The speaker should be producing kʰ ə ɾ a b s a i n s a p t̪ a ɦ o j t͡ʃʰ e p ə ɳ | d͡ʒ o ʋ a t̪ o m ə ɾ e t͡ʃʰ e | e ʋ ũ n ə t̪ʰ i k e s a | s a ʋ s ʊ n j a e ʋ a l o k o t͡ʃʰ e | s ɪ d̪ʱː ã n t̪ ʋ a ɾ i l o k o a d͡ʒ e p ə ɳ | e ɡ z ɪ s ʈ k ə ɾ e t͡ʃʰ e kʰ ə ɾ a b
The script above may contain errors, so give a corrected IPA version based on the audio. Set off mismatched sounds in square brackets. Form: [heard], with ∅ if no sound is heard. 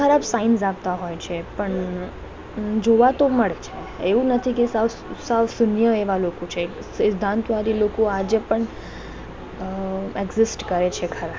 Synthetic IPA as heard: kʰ ə ɾ a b s a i n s a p t̪ a ɦ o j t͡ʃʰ e p ə ɳ | d͡ʒ o ʋ a t̪ o m ə [ɭ] e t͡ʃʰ e | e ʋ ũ n ə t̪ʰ i k e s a | s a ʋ s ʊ n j [ə] e ʋ a l o k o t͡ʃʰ e | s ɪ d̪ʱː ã n t̪ ʋ a ɾ i l o k o a d͡ʒ e p ə ɳ | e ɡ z ɪ s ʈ k ə ɾ e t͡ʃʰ e kʰ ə ɾ a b

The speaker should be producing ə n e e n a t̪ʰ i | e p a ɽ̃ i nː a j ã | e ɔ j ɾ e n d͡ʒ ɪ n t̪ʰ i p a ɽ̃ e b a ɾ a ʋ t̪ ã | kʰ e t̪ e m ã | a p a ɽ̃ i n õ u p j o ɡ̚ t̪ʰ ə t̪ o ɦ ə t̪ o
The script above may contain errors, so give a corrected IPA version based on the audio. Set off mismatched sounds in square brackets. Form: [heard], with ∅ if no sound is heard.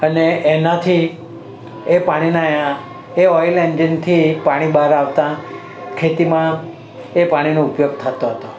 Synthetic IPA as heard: ə n e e n a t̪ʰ i | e p a ɽ̃ i [n] a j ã | e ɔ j [l] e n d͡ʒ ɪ n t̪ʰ i p a ɽ̃ [i] b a ɾ a ʋ t̪ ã | kʰ e t̪ [i] m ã | [e] p a ɽ̃ i n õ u p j o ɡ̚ t̪ʰ ə t̪ o ɦ ə t̪ o

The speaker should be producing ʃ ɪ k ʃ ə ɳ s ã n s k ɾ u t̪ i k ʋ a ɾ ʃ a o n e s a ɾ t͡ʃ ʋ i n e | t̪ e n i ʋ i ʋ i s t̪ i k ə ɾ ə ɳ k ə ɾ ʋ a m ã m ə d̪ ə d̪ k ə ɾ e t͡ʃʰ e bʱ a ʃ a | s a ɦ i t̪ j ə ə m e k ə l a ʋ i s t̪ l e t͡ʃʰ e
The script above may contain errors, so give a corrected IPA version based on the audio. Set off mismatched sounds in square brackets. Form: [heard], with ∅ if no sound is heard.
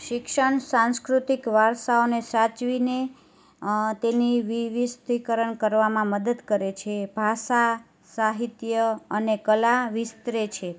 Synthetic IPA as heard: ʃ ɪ k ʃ ə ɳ s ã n s k ɾ u t̪ i k ʋ a ɾ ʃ a o n e s a [∅] t͡ʃ ʋ i n e | t̪ e n i ʋ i ʋ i s t̪ i k ə ɾ ə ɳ k ə ɾ ʋ a m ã m ə d̪ ə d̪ k ə ɾ e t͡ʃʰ e bʱ a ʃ a | s a ɦ i t̪ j ə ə [n] e k ə l a ʋ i s t̪ [ɾ] e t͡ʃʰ e

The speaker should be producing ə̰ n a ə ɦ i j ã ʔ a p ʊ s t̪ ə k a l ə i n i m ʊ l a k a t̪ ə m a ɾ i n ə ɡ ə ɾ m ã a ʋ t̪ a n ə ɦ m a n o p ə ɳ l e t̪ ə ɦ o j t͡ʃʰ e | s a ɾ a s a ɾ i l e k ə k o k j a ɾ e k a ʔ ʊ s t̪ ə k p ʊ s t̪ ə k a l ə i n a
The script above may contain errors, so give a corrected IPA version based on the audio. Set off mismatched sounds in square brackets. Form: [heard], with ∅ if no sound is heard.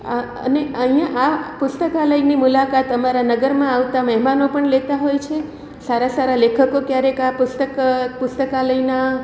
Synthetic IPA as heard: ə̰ n [e] ə ɦ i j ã ʔ a p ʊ s t̪ ə k a l ə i n i m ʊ l a k a t̪ ə m a ɾ [a] n ə ɡ ə ɾ m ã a ʋ t̪ a [m] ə ɦ m a n o p ə ɳ l e t̪ [a] ɦ o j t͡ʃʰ e | s a ɾ a s a ɾ [a] l e [kʰ] ə k o k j a ɾ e k a [p] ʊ s t̪ ə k p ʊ s t̪ ə k a l ə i n a

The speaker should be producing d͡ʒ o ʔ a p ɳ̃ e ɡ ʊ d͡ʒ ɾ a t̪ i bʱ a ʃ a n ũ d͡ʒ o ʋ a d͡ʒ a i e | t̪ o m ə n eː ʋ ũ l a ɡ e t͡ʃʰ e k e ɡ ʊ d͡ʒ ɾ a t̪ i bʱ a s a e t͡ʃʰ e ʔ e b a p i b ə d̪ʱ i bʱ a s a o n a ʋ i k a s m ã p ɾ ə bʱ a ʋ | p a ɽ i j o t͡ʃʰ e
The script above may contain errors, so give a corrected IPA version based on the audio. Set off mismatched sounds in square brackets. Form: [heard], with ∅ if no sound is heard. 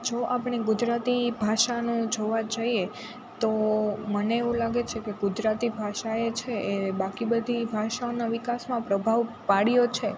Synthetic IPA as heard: d͡ʒ o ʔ a p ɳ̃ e ɡ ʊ d͡ʒ ɾ a t̪ i bʱ a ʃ a n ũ d͡ʒ o ʋ a d͡ʒ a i e | t̪ o m ə n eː ʋ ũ l a ɡ e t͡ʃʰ e k e ɡ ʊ d͡ʒ ɾ a t̪ i bʱ a [ʃ] a e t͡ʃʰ e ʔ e b a [k] i b ə d̪ʱ i bʱ a [ʃ] a o n a ʋ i k a s m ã p ɾ ə bʱ a ʋ | p a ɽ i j o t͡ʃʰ e

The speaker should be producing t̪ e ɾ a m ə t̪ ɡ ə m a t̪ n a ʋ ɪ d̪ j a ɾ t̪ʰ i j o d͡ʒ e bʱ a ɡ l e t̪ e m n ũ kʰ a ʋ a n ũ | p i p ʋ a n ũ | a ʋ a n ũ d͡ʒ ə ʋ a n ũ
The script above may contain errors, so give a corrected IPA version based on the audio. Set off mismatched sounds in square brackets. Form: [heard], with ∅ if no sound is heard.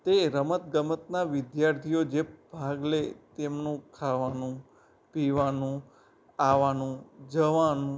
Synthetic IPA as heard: t̪ e ɾ [ə] m ə t̪ ɡ ə m [ə] t̪ n a ʋ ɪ d̪ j a ɾ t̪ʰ i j o d͡ʒ e bʱ a ɡ l e t̪ e m n ũ kʰ a ʋ a n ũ | p i [∅] ʋ a n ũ | a ʋ a n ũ d͡ʒ ə ʋ a n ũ

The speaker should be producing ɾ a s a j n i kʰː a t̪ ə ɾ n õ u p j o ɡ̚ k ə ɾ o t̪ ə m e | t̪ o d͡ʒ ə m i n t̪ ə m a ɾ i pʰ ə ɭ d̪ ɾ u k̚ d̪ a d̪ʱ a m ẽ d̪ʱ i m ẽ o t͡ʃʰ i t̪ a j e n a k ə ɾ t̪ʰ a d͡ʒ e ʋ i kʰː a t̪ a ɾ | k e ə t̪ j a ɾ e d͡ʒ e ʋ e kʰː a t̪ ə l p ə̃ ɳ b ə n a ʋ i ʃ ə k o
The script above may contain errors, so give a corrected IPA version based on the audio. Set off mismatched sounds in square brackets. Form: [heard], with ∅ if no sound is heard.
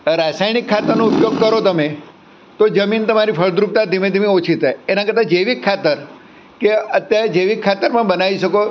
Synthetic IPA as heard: ɾ a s a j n i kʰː a t̪ ə ɾ n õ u p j o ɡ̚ k ə ɾ o t̪ ə m e | t̪ o d͡ʒ ə m i n t̪ ə m a ɾ i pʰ ə ɭ d̪ ɾ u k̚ [t̪] a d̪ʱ [i] m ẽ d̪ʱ i m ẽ o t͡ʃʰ i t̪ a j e n a k ə ɾ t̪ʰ a d͡ʒ e ʋ i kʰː a t̪ [ə] ɾ | k e ə t̪ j a ɾ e d͡ʒ e ʋ [i] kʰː a t̪ ə [ɾ] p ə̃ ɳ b ə n a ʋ i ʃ ə k o

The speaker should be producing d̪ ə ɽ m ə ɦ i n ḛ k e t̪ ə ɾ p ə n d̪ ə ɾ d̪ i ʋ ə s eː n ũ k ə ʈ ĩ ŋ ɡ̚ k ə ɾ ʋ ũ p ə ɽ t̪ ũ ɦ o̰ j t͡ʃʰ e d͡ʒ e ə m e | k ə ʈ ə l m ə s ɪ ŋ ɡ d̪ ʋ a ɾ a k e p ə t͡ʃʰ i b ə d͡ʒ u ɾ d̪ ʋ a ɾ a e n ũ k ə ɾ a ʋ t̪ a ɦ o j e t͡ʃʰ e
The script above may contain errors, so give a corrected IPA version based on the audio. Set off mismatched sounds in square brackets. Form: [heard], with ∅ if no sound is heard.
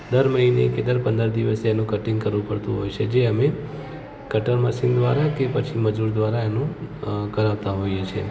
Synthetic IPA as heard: d̪ ə [ɾ] m ə ɦ i n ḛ k e [d̪] ə ɾ p ə n d̪ ə ɾ d̪ i ʋ ə s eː n ũ k ə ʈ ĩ ŋ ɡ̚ k ə ɾ ʋ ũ p ə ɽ t̪ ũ ɦ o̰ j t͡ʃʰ e d͡ʒ e ə m e | k ə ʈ ə [ɾ] m ə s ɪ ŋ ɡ d̪ ʋ a ɾ a k e p ə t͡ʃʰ i [m] ə d͡ʒ u ɾ d̪ ʋ a ɾ a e n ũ k ə ɾ a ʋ t̪ a ɦ o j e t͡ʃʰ e

